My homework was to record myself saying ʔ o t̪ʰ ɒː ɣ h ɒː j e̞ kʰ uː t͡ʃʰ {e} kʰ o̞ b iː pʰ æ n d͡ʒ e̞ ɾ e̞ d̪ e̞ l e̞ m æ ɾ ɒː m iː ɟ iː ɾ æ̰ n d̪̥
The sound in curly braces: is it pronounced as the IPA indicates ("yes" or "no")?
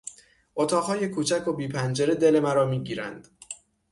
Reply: no